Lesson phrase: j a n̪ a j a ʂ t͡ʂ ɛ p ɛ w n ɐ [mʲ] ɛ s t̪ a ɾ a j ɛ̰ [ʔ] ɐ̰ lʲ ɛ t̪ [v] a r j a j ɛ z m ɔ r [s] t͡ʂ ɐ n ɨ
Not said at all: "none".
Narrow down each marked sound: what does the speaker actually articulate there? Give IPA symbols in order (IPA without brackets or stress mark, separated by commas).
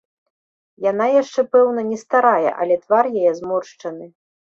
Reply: nʲ, ʔ, v, ʂ